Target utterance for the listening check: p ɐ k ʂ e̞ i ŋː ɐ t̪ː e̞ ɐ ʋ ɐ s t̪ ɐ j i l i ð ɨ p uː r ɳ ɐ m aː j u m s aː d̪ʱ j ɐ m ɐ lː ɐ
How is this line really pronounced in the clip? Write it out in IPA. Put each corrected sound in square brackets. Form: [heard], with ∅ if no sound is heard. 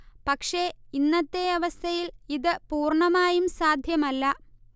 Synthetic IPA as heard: p ɐ k ʂ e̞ i [nː] ɐ t̪ː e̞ ɐ ʋ ɐ s [t̪ʰ] ɐ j i l i ð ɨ p uː r ɳ ɐ m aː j u m s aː d̪ʱ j ɐ m ɐ lː ɐ

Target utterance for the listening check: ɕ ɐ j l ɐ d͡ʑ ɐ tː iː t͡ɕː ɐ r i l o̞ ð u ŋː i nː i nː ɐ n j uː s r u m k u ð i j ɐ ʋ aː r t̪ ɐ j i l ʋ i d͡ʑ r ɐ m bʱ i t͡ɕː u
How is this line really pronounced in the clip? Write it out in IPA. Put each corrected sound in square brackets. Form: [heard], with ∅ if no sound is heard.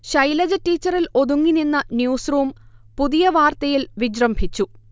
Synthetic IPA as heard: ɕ ɐ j l ɐ d͡ʑ ɐ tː iː t͡ɕː ɐ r i l o̞ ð u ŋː i [n] i nː ɐ n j uː s r [uː] m [p] u ð i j ɐ ʋ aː r t̪ ɐ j i l ʋ i d͡ʑ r ɐ m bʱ i t͡ɕː u

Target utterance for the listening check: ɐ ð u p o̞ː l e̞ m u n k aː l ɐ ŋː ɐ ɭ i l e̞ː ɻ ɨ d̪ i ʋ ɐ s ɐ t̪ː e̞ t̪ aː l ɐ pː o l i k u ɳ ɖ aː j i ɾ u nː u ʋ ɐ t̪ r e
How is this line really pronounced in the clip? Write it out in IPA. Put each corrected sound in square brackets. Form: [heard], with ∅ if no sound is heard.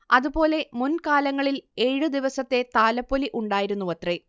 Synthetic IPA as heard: ɐ ð u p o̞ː l e̞ m u n k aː l ɐ ŋː ɐ ɭ i l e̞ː ɻ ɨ d̪ i ʋ ɐ s ɐ t̪ː e̞ t̪ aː l ɐ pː o l i [ʔ] u ɳ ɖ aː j i ɾ u nː u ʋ ɐ t̪ r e

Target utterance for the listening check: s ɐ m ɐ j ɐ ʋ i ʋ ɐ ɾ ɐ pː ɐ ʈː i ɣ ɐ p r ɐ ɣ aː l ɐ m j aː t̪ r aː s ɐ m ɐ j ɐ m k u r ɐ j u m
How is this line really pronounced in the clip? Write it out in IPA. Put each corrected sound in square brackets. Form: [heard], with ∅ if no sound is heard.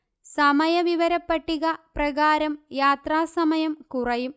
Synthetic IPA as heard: s ɐ m ɐ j ɐ ʋ i ʋ ɐ ɾ ɐ pː ɐ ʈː i ɣ ɐ p r ɐ ɣ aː [ɾ] ɐ m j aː t̪ r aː s ɐ m ɐ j ɐ m k u r ɐ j u m

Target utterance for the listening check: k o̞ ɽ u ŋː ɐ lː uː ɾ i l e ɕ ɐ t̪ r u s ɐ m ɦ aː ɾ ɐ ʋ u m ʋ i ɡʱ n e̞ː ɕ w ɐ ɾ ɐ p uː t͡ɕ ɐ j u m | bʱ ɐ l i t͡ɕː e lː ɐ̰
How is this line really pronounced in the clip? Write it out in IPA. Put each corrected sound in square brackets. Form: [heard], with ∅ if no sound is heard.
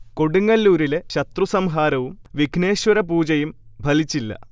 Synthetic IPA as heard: k o̞ ɽ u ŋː ɐ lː uː ɾ i l e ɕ ɐ t̪ r u s ɐ m ɦ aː ɾ ɐ ʋ u m ʋ i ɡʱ n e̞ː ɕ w ɐ ɾ ɐ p uː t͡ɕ ɐ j u m | bʱ ɐ l i t͡ɕː [i] lː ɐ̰

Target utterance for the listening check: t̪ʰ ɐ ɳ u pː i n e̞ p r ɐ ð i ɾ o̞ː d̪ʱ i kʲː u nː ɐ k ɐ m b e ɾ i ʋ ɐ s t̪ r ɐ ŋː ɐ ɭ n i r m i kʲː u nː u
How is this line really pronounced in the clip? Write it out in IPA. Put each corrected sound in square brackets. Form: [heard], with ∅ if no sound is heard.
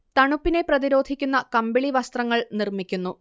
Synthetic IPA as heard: [t̪] ɐ ɳ u pː i n e̞ p r ɐ ð i ɾ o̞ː d̪ʱ i kʲː u nː ɐ k ɐ m b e [ɭ] i ʋ ɐ s t̪ r ɐ ŋː ɐ ɭ n i r m i kʲː u nː u

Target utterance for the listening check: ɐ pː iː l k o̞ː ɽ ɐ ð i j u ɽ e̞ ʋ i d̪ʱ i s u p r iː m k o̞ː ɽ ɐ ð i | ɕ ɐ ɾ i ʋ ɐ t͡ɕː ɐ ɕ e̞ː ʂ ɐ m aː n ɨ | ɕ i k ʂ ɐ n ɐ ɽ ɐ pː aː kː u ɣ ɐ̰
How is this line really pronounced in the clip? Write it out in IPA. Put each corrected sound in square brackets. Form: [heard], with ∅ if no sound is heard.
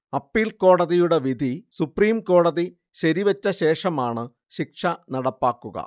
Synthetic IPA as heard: ɐ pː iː l k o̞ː ɽ ɐ ð i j u ɽ e̞ ʋ i d̪ʱ i s u p r iː m k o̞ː ɽ ɐ ð i | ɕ ɐ ɾ i ʋ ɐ t͡ɕː ɐ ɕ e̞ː ʂ ɐ m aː [ɳ] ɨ | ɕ i k ʂ ɐ n ɐ ɽ ɐ pː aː kː u ɣ ɐ̰

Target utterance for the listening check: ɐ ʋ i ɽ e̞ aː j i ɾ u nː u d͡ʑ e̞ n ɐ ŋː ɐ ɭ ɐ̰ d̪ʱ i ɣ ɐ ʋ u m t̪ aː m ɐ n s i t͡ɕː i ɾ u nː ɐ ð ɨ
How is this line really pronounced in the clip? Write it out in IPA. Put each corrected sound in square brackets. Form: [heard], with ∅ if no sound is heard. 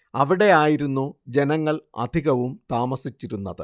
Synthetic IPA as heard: ɐ ʋ i ɽ e̞ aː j i ɾ u nː u d͡ʑ e̞ n ɐ ŋː ɐ ɭ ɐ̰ d̪ʱ i ɣ ɐ ʋ u m t̪ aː m ɐ [∅] s i t͡ɕː i ɾ u nː ɐ ð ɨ

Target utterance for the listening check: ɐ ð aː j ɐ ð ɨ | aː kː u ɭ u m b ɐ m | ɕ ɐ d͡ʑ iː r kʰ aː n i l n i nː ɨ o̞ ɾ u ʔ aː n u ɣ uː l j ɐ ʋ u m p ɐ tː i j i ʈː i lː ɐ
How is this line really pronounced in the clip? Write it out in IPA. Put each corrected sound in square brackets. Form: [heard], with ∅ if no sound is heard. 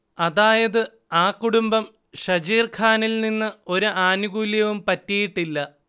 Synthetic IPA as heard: ɐ ð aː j ɐ ð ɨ | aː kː u [ɽ] u m b ɐ m | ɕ ɐ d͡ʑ iː r kʰ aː n i l n i nː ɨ o̞ ɾ u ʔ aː n u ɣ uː l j ɐ ʋ u m p ɐ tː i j i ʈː i lː ɐ

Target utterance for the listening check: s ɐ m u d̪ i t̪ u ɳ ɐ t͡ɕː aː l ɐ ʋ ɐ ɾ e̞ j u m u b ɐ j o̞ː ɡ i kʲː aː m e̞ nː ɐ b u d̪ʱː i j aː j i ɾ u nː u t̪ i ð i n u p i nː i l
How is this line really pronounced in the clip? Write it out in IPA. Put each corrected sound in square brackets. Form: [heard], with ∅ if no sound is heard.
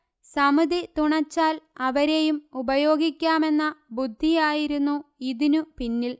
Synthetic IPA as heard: s ɐ m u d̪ i t̪ u ɳ ɐ t͡ɕː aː l ɐ ʋ ɐ ɾ e̞ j u m u b ɐ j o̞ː ɡ i kʲː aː m e̞ nː ɐ b u d̪ʱː i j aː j i ɾ u nː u [∅] i ð i n u p i nː i l

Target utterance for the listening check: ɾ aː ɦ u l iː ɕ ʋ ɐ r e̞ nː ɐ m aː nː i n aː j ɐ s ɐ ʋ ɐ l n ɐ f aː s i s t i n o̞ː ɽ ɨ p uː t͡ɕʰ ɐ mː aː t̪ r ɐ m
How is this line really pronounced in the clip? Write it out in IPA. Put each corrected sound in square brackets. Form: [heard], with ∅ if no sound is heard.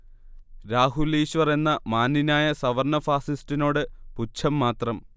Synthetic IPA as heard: ɾ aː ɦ u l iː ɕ ʋ ɐ r e̞ nː ɐ m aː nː i n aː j ɐ s ɐ ʋ ɐ [r] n ɐ f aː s i s t i n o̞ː ɽ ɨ p [u] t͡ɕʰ ɐ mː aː t̪ r ɐ m

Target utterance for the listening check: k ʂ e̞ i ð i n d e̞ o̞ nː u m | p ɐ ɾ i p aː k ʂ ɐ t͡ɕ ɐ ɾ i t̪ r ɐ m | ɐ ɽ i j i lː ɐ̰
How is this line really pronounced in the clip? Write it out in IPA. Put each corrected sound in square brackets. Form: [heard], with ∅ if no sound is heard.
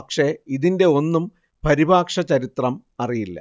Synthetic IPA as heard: k ʂ e̞ i ð i n d e̞ o̞ nː u m | p ɐ ɾ i [b] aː k ʂ ɐ t͡ɕ ɐ ɾ i t̪ r ɐ m | ɐ [r] i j i lː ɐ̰

